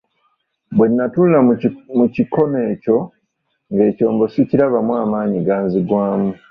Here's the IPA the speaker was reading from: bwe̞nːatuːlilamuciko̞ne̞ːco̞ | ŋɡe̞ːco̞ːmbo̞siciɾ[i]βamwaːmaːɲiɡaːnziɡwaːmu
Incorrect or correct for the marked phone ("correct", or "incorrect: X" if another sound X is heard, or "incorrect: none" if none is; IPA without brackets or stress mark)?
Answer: incorrect: a